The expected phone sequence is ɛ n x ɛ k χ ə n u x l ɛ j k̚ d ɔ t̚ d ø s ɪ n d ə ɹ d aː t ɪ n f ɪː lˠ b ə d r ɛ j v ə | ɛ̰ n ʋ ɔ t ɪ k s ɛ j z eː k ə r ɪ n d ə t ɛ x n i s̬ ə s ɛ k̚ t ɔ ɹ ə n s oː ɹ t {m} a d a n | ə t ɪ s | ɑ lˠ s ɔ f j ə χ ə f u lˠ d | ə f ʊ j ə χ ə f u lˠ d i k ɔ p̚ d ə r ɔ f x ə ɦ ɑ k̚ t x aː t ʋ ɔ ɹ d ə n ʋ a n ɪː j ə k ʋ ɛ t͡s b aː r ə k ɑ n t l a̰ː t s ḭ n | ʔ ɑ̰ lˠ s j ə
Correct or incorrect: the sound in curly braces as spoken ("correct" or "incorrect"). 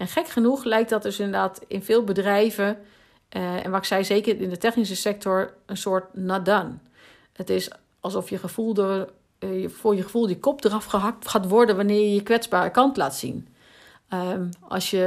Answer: incorrect